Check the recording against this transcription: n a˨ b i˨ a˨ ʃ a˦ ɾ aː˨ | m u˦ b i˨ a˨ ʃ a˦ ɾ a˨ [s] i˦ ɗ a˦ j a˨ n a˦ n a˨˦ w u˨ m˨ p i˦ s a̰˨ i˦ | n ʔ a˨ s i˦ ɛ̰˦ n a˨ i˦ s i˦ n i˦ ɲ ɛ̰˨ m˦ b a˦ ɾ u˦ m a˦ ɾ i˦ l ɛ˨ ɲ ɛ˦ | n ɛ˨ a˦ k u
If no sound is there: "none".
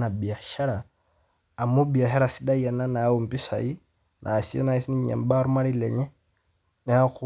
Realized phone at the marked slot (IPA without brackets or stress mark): s